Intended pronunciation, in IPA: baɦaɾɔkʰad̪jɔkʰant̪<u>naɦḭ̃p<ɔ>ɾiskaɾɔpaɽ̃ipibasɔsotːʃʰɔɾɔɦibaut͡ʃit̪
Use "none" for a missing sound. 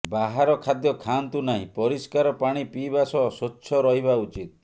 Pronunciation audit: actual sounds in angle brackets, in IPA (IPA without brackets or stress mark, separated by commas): u, ɔ